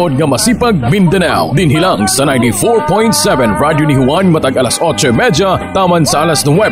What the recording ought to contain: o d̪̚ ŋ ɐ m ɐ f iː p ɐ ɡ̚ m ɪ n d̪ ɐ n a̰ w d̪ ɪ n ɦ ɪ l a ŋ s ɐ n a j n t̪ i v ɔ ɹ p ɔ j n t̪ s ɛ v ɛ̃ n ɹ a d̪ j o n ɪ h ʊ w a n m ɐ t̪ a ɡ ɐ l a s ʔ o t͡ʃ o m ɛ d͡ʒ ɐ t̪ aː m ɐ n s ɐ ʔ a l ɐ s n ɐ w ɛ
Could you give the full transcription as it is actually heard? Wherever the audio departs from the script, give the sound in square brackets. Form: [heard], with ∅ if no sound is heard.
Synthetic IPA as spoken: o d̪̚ ŋ ɐ m ɐ [s] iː p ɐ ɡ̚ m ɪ n d̪ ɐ n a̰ w d̪ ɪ n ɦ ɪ l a ŋ s ɐ n a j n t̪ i [f] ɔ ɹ p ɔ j n t̪ s ɛ v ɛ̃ n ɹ a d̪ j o n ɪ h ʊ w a n m ɐ t̪ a ɡ ɐ l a s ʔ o t͡ʃ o m ɛ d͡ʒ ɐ t̪ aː m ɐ n s ɐ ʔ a l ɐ s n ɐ w ɛ